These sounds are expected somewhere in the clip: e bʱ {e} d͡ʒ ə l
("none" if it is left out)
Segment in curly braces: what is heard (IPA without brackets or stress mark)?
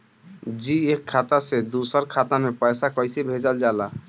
e